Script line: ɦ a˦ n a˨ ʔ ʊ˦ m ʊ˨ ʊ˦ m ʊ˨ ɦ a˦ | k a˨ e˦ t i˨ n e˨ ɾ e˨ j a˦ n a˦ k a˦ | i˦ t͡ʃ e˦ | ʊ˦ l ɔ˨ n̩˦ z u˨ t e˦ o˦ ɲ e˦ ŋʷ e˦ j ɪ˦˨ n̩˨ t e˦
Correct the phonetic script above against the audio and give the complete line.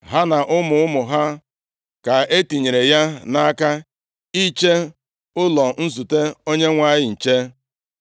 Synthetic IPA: ɦ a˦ n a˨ ʔ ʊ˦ m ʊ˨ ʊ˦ m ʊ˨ ɦ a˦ | k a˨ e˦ t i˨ ɲ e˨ ɾ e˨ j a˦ n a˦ k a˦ | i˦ t͡ʃ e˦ | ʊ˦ l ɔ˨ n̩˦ z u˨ t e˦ o˦ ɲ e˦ ŋʷ a˦ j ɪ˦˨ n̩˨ t͡ʃ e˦

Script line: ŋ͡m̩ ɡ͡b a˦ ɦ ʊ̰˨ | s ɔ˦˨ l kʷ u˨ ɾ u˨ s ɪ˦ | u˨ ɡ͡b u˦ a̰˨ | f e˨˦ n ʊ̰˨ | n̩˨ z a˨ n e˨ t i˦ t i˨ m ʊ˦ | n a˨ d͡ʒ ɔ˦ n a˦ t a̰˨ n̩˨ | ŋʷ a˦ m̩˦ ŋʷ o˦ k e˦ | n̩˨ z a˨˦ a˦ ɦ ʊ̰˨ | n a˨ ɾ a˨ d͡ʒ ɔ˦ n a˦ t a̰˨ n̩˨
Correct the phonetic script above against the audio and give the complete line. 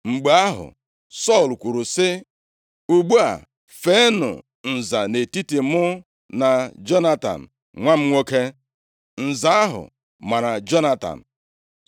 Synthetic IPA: ŋ͡m̩ ɡ͡b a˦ ɦ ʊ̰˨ | s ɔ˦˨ l kʷ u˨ ɾ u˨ s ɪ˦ | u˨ ɡ͡b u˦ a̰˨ | f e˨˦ n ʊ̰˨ | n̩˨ z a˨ n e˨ t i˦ t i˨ m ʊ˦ | n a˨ d͡ʒ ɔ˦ n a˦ t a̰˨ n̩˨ | ŋʷ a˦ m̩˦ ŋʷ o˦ k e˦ | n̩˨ z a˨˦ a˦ ɦ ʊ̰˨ | m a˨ ɾ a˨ d͡ʒ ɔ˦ n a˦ t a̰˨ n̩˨

